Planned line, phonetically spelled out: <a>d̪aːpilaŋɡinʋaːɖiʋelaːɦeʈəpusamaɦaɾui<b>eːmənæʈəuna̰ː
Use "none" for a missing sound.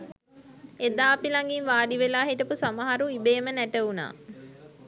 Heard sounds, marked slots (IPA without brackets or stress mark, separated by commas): e, b